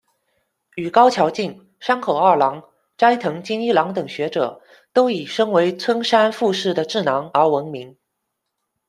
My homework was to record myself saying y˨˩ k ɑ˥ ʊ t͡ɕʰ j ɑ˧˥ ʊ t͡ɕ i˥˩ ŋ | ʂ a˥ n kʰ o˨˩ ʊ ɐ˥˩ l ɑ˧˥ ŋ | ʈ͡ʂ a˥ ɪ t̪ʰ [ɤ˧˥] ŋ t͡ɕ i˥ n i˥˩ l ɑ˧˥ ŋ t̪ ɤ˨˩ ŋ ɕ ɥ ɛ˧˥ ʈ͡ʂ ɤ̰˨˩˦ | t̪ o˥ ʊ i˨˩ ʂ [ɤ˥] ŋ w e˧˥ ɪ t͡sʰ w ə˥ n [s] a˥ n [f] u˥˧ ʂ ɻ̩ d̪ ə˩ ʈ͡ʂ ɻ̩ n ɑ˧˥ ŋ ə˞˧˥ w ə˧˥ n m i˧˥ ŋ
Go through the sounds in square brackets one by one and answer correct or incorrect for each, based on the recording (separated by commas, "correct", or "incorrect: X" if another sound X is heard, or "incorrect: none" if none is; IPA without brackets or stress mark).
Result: correct, correct, incorrect: ʂ, correct